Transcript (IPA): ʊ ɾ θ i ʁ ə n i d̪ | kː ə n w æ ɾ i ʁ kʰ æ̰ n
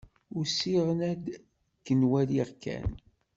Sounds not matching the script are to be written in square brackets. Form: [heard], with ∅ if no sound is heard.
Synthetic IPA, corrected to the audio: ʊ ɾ [s] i ʁ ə n [æ] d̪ | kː ə n w æ [l] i ʁ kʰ æ̰ n